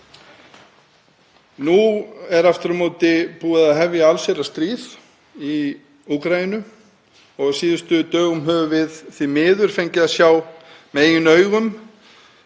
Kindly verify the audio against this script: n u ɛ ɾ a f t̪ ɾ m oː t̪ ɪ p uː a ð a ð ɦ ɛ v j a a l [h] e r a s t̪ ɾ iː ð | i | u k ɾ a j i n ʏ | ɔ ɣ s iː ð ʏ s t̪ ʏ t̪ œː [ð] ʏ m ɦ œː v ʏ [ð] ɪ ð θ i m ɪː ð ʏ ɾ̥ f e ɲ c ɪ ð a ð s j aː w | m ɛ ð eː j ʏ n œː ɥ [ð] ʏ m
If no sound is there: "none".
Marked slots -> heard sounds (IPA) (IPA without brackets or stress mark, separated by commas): s, ɣ, v, ɣ